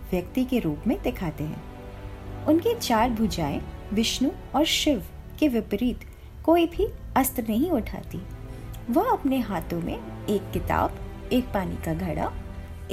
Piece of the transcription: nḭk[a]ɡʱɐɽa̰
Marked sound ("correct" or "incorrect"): correct